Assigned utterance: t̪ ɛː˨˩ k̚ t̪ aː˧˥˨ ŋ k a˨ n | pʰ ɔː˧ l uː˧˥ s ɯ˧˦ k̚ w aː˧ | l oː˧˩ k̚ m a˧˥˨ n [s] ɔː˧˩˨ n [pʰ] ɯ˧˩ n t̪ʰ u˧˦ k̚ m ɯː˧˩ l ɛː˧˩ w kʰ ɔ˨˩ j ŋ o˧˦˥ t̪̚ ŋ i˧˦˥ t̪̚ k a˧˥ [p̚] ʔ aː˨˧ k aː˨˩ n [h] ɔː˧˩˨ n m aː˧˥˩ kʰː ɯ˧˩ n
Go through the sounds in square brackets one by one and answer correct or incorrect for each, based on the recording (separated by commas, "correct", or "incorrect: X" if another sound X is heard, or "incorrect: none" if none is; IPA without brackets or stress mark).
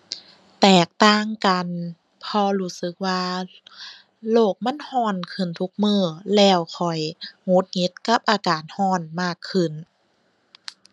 incorrect: h, incorrect: kʰ, correct, correct